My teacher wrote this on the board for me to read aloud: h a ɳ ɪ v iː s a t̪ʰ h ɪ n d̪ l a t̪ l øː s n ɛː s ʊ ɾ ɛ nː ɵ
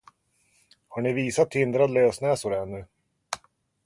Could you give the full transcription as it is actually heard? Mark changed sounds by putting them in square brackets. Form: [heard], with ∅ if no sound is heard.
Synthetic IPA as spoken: h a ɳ ɪ v iː s a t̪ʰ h ɪ n d̪ [ɾ] a [d̪] l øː s n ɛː s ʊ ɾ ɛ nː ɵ